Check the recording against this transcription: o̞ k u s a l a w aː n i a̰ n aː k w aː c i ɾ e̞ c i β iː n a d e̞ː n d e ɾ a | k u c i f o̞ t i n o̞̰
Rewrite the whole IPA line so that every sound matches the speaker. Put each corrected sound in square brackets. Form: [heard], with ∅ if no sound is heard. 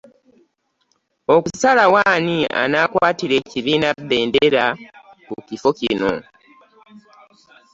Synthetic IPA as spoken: o̞ k u s a l a w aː n i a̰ n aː k w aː [t] i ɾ e̞ c i β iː n a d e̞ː n d e ɾ a | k u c i f o̞ [c] i n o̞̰